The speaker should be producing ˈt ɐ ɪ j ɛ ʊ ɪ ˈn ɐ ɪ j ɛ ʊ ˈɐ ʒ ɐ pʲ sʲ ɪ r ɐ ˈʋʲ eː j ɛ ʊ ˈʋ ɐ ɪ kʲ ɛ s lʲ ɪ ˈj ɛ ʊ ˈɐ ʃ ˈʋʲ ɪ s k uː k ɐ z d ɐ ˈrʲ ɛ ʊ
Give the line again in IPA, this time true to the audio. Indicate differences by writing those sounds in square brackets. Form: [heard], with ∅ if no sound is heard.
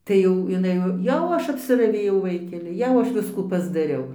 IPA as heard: ˈt ɐ ɪ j ɛ ʊ ɪ ˈn ɐ ɪ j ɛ ʊ ˈɐ [ʃ] ɐ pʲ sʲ ɪ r ɐ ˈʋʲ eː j ɛ ʊ ˈʋ ɐ ɪ kʲ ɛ [∅] lʲ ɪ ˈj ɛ ʊ ˈɐ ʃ ˈʋʲ ɪ s k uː [p] ɐ z d ɐ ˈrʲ ɛ ʊ